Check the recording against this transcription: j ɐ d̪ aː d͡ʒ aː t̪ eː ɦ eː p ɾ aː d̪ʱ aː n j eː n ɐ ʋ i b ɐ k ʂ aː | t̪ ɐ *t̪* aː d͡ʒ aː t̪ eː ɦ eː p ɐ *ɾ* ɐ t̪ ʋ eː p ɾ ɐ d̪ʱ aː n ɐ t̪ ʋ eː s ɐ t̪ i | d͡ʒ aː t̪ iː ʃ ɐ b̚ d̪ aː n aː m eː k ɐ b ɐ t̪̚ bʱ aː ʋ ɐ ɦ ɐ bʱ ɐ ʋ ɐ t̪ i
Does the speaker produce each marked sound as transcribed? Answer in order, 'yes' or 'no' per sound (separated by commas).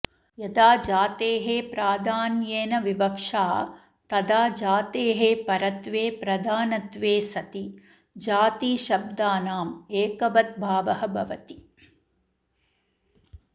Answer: no, yes